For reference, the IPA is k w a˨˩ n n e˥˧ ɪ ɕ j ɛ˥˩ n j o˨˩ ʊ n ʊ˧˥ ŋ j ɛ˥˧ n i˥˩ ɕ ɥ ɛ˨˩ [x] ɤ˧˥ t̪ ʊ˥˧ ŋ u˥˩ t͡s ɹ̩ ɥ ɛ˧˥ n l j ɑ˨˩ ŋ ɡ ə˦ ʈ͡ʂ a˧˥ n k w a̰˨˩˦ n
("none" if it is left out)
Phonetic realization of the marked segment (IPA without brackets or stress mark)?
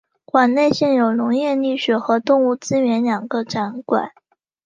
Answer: x